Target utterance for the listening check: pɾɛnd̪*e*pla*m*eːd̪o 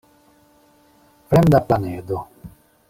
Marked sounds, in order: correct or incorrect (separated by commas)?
incorrect, incorrect